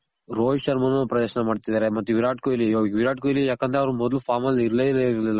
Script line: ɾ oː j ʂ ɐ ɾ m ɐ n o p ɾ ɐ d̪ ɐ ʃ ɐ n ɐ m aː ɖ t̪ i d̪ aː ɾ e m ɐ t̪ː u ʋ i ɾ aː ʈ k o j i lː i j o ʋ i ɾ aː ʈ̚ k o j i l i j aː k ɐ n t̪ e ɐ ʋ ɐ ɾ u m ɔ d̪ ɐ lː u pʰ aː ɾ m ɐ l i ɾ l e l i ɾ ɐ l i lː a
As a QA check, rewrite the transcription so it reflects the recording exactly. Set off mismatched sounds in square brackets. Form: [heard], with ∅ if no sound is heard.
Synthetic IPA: ɾ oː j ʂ ɐ ɾ m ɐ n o p ɾ ɐ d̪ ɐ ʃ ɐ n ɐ m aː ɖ t̪ i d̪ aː ɾ e m ɐ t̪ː u ʋ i ɾ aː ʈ k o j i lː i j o ʋ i ɾ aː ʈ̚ k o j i l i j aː k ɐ n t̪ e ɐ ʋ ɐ ɾ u m ɔ d̪ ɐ [l] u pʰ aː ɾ m ɐ l i ɾ l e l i ɾ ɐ l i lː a